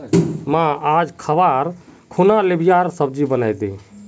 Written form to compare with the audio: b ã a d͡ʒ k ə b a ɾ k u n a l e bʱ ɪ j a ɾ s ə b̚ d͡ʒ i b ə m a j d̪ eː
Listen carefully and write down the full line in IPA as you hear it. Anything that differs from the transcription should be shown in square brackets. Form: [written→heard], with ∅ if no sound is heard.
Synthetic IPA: [b→m] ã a d͡ʒ [k→kʰ] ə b a ɾ [k→kʰ] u n a l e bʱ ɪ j a ɾ s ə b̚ d͡ʒ i b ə [m→n] a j d̪ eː